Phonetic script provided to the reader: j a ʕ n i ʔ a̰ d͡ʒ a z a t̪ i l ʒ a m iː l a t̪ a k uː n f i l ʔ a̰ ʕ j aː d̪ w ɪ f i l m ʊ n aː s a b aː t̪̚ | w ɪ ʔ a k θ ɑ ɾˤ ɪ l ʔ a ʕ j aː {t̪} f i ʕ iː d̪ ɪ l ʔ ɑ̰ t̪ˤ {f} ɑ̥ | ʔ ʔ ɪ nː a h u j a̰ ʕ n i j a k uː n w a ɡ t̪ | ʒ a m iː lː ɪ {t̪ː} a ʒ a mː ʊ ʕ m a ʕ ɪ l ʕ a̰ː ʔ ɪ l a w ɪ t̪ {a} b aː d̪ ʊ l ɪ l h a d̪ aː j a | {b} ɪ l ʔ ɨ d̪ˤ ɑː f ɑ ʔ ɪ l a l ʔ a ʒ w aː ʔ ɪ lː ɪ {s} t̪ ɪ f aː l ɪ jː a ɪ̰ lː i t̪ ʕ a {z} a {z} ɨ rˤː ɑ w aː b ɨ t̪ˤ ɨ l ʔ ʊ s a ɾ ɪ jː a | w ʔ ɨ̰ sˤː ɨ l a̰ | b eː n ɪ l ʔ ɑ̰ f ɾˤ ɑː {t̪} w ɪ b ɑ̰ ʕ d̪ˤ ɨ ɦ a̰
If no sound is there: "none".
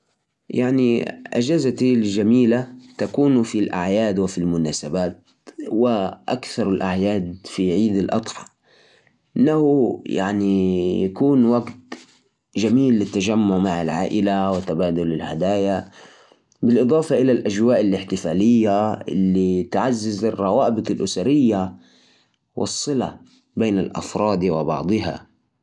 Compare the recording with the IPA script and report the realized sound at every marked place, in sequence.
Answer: d̪, ħ, t̪ː, a, b, ħ, zː, z, d̪

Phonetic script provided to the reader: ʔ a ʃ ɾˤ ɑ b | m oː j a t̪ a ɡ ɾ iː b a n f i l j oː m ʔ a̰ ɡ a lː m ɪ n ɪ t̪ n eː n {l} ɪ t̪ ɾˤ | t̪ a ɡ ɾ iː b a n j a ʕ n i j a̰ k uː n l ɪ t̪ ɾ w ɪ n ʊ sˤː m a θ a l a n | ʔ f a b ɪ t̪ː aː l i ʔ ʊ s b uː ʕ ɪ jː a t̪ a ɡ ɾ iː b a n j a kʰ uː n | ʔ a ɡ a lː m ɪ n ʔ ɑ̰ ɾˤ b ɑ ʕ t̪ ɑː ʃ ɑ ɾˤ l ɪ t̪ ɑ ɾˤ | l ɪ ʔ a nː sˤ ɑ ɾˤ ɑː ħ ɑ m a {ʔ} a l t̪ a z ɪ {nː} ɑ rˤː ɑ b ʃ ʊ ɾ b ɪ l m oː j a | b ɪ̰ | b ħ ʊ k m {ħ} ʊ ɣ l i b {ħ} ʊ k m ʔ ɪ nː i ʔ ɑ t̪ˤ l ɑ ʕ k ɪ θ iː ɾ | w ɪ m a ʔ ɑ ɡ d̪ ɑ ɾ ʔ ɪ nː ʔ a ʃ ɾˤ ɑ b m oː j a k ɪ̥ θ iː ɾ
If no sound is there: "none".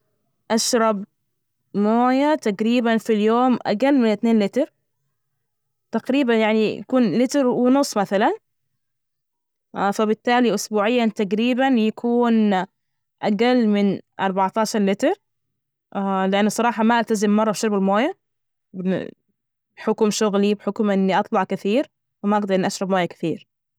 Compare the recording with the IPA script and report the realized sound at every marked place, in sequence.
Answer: l, ʔ, mː, ʃ, ħ

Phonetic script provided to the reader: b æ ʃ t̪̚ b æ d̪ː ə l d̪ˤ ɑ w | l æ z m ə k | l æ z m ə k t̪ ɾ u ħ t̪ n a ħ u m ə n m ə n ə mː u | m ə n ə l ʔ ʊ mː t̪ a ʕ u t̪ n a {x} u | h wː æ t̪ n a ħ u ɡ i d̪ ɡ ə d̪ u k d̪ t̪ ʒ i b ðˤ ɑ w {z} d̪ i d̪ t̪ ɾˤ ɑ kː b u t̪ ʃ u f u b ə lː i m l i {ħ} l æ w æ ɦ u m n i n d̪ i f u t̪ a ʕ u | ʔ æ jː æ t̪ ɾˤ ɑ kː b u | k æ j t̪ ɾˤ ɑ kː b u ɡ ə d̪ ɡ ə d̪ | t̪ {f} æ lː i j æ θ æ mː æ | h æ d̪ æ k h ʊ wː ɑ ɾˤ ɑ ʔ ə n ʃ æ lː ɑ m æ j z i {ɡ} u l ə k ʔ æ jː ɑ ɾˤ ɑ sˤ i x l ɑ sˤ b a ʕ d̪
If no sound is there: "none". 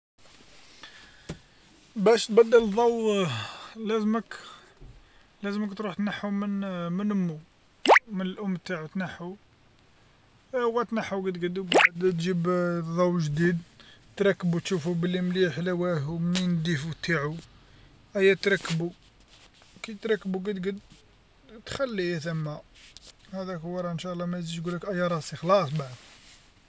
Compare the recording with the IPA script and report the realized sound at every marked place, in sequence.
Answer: ħ, ʒ, ħ, x, ɡ

